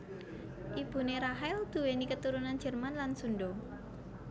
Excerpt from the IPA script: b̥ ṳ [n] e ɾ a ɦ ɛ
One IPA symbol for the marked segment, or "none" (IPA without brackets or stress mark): n